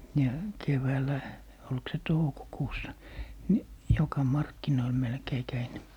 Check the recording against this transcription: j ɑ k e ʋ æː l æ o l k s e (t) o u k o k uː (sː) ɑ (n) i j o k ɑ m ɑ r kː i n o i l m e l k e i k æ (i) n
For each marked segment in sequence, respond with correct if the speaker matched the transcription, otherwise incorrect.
correct, correct, correct, correct

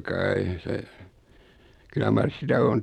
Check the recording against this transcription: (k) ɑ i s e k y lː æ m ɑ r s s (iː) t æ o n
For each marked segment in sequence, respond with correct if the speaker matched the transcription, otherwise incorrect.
correct, incorrect: i

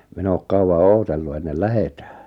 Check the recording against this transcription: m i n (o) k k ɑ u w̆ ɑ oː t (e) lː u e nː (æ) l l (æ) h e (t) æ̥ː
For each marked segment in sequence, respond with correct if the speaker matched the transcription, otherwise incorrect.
incorrect: oː, correct, incorrect: e, correct, correct

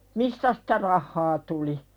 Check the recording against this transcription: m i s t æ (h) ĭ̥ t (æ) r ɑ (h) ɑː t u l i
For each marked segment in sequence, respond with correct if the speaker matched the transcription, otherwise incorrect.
incorrect: s, correct, incorrect: hː

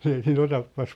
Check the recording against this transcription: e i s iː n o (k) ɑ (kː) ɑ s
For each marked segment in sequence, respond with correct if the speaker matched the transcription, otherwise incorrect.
incorrect: t, incorrect: pː

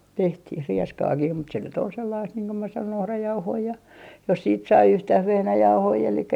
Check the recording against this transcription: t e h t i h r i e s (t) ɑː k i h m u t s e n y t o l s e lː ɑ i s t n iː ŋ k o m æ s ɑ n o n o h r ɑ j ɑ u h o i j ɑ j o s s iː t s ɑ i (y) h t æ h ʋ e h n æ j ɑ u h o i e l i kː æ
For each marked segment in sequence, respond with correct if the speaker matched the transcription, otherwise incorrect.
incorrect: k, correct

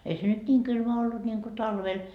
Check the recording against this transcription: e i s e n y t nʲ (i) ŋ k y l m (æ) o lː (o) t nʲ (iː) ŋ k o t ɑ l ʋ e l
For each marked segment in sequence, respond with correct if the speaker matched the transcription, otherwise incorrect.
incorrect: iː, correct, incorrect: u, incorrect: i

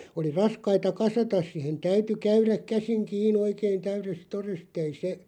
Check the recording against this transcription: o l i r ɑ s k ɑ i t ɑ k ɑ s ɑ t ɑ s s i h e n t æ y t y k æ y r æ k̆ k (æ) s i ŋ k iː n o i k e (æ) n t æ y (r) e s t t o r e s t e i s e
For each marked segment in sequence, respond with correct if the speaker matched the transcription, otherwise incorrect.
correct, incorrect: i, correct

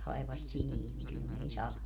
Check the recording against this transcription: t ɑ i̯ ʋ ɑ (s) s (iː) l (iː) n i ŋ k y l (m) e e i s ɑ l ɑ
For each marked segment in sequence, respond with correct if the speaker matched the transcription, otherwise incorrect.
correct, incorrect: i, correct, incorrect: n

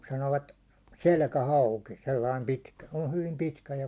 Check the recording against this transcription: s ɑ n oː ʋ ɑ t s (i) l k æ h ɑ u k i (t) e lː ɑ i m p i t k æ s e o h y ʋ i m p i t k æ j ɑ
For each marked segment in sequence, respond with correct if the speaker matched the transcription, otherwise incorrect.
incorrect: e, incorrect: s

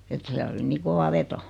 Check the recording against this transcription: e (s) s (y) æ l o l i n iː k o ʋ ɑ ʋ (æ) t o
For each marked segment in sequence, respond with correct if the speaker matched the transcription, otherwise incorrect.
incorrect: t, incorrect: i, incorrect: e

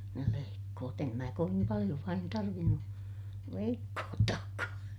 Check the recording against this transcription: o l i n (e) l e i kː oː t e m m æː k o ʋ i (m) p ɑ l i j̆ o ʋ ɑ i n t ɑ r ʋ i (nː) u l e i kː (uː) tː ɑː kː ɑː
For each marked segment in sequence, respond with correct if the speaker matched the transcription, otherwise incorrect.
correct, correct, correct, incorrect: oː

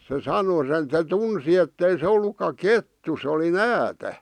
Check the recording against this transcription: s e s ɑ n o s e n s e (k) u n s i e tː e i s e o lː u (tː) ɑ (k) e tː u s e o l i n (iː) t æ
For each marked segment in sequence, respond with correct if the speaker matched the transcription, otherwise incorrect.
incorrect: t, incorrect: kː, correct, incorrect: æː

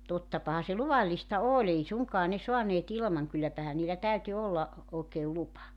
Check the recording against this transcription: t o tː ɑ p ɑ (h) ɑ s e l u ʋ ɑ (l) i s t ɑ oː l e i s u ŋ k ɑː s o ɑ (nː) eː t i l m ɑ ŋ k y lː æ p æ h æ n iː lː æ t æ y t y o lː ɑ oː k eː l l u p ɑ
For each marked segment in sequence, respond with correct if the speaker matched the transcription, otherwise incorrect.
correct, incorrect: lː, incorrect: n

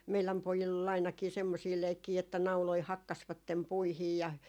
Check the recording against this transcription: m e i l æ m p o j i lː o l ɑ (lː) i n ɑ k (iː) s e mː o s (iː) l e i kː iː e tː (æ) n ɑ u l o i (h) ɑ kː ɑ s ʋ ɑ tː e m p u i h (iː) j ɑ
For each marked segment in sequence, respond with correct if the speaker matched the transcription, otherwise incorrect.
incorrect: none, correct, correct, correct, correct, correct

